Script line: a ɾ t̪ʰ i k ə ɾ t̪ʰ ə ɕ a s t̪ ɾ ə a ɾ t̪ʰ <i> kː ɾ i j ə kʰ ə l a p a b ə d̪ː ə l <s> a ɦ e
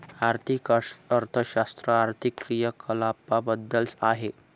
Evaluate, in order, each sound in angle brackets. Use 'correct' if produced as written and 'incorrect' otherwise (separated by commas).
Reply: correct, correct